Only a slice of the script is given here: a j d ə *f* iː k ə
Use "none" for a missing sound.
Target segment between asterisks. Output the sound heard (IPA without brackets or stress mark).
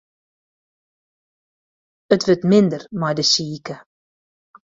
s